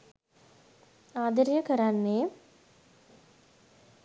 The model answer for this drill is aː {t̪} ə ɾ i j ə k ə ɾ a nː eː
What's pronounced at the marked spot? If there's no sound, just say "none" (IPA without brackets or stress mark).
d̪